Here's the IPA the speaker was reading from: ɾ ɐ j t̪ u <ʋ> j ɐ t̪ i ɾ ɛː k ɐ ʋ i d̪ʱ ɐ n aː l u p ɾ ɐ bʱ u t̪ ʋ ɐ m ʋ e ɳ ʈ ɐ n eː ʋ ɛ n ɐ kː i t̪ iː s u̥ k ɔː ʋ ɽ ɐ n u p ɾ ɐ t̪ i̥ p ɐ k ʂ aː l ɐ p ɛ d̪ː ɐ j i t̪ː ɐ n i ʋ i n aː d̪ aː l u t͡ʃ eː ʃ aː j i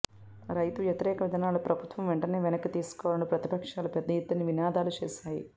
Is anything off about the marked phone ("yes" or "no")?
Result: no